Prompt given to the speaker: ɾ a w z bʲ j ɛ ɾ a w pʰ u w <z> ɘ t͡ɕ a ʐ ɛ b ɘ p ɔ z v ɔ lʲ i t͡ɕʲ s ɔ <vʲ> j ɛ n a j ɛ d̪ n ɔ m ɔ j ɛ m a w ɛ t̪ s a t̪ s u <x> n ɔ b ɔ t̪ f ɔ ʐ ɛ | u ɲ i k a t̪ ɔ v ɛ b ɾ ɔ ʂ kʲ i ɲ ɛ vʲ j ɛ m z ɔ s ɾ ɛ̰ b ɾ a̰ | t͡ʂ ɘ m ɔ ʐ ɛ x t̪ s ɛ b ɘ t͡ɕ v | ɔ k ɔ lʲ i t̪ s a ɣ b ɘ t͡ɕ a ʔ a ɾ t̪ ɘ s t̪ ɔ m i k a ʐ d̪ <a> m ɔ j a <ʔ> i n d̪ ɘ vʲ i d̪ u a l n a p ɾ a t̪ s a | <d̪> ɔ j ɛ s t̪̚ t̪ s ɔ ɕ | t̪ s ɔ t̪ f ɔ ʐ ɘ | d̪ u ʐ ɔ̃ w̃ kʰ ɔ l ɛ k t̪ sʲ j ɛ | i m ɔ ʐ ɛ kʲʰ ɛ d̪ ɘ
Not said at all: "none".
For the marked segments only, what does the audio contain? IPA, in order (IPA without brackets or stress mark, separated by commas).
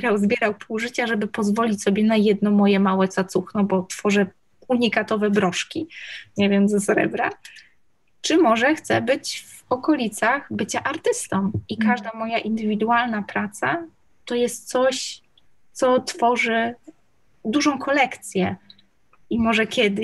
ʐ, bʲ, x, a, ʔ, t̪